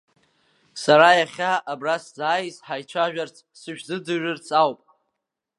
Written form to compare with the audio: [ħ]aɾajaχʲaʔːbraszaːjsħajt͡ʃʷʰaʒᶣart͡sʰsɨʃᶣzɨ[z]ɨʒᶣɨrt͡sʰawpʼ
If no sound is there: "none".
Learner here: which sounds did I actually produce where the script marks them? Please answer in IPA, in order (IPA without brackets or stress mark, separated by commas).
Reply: s, d͡z